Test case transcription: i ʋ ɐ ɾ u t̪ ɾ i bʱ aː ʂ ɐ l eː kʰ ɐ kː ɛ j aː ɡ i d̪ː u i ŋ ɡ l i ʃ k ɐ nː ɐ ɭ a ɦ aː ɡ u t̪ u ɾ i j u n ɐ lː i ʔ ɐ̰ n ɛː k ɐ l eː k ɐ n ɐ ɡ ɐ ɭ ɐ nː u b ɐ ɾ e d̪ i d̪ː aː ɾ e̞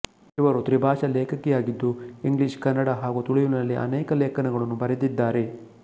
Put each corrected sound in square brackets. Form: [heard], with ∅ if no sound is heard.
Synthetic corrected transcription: i ʋ ɐ ɾ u t̪ ɾ i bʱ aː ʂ ɐ l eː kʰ ɐ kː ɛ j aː ɡ i d̪ː u i ŋ ɡ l i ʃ k ɐ nː ɐ [ɽ] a ɦ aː ɡ u t̪ u [ɭ] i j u n ɐ lː i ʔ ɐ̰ n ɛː k ɐ l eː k ɐ n ɐ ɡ ɐ ɭ ɐ nː u b ɐ ɾ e d̪ i d̪ː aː ɾ e̞